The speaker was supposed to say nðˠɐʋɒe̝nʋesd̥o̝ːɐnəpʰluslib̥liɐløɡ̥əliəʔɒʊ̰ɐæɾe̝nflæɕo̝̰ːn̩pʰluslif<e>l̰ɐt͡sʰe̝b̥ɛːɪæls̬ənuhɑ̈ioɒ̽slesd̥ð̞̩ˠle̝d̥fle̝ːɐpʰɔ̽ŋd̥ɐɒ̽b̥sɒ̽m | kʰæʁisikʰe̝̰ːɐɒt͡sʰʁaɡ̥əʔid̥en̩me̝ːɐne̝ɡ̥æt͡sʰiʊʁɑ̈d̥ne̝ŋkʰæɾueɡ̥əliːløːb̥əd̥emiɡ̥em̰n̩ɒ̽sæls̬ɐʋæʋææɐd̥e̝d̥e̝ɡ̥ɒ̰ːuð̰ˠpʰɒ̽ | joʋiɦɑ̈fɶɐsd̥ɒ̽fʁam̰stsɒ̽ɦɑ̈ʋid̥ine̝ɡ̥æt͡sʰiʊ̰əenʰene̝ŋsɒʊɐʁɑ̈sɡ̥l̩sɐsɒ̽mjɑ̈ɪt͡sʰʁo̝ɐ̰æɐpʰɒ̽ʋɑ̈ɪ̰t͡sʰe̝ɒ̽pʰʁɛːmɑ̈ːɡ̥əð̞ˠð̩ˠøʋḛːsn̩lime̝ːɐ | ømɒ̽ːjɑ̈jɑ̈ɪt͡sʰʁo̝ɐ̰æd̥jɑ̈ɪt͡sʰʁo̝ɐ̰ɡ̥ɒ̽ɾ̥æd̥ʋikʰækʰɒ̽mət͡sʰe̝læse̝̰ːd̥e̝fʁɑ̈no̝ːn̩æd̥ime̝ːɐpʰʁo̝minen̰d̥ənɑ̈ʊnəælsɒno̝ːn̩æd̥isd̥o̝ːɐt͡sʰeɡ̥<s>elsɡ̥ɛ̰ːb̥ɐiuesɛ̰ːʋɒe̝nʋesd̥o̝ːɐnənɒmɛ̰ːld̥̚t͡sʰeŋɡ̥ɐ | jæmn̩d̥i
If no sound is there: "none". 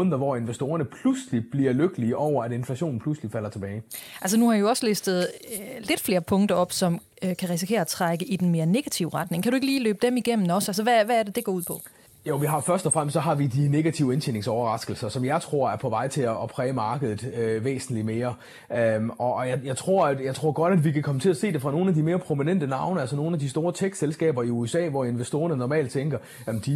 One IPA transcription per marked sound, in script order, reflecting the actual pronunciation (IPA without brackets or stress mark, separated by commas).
æ, s